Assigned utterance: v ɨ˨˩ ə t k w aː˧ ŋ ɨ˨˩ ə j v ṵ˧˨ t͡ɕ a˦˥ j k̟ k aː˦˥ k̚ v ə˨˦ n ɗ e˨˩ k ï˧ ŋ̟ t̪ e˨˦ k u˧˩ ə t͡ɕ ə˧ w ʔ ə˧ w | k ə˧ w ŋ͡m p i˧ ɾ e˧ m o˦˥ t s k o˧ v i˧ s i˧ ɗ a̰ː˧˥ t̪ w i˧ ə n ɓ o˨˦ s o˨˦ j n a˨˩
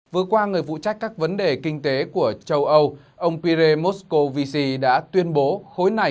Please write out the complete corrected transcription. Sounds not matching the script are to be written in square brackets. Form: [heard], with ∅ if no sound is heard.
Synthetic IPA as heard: v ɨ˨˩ ə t k w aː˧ ŋ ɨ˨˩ ə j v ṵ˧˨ t͡ɕ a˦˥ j k̟ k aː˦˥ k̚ v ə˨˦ n ɗ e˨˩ k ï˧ ŋ̟ t̪ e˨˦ k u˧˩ ə t͡ɕ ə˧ w ʔ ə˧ w | [ʔ] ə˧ w ŋ͡m p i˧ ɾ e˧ m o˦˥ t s k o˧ v i˧ s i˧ ɗ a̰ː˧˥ t̪ w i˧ ə n ɓ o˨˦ [x] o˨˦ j n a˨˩